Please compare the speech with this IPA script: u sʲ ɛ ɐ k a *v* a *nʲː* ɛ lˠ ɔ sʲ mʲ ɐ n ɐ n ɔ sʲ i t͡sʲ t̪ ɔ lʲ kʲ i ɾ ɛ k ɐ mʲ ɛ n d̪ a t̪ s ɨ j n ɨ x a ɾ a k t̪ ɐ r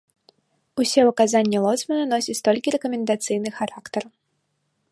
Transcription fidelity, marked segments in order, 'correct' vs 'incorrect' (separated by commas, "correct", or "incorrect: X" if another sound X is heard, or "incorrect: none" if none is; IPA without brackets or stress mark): incorrect: z, correct